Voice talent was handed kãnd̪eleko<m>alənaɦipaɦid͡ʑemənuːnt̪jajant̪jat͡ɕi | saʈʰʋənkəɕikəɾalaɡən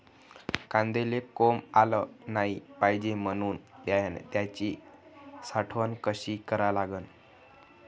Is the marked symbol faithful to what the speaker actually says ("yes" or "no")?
yes